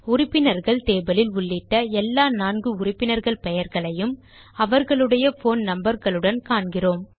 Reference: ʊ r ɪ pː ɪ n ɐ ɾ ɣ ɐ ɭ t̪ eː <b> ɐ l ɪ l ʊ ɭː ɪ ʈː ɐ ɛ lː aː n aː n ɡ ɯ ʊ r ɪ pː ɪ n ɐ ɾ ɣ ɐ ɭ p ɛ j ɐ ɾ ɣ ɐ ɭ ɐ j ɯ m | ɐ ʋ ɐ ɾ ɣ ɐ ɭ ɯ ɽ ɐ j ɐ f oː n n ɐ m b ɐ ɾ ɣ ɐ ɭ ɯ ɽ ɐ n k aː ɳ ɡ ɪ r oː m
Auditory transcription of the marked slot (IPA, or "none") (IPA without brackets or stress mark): b